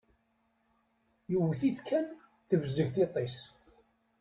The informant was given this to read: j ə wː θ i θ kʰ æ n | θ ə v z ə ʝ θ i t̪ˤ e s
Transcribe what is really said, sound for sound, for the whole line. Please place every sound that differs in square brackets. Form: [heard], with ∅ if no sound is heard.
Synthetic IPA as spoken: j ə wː θ i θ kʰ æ n | θ ə v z ə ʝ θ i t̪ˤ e s